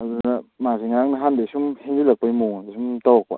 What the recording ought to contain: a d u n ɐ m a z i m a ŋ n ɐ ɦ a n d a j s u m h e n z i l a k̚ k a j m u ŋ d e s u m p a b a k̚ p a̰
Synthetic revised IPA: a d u n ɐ m a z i ŋ a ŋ n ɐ ɦ a n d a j s u m h e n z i l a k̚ p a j m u ŋ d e s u m t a w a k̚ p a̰